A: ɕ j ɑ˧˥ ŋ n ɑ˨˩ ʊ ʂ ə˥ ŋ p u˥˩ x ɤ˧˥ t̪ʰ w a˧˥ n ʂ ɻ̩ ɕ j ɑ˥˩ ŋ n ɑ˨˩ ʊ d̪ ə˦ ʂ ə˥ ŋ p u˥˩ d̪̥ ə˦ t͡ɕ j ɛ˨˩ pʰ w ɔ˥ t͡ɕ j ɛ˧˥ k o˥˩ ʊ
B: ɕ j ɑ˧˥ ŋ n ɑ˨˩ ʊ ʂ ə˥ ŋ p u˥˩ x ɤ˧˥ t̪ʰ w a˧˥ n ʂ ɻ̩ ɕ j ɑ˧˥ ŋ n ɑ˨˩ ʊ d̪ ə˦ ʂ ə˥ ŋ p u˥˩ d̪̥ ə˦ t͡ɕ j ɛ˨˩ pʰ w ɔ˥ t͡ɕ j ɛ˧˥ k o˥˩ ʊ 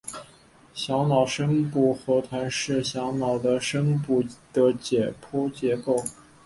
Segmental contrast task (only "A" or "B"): B